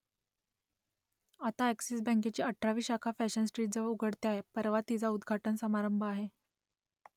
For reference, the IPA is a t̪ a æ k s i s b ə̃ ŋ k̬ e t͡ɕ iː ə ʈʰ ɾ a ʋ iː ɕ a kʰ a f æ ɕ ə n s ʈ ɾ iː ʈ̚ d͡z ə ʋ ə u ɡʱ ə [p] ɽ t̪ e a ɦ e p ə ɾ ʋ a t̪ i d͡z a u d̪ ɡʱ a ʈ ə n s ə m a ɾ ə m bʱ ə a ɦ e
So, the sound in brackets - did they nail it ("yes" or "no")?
no